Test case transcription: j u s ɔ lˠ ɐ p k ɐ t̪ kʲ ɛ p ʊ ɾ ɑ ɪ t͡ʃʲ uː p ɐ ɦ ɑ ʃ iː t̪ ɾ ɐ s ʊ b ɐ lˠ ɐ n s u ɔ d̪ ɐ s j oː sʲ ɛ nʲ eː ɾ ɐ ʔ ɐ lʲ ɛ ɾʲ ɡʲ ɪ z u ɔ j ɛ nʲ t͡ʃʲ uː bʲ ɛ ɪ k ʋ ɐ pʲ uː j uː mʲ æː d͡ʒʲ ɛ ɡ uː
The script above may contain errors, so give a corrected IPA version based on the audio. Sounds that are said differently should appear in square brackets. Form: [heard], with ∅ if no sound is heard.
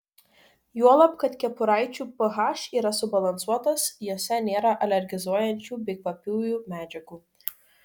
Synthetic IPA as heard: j u [∅] ɔ lˠ ɐ p k ɐ t̪ kʲ ɛ p ʊ ɾ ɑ ɪ t͡ʃʲ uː p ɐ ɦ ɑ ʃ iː [∅] ɾ ɐ s ʊ b ɐ lˠ ɐ n s u ɔ [t̪] ɐ s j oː sʲ ɛ nʲ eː ɾ ɐ ʔ ɐ lʲ ɛ ɾʲ ɡʲ ɪ z u ɔ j ɛ nʲ t͡ʃʲ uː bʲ ɛ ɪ k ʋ ɐ pʲ uː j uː mʲ æː d͡ʒʲ ɛ ɡ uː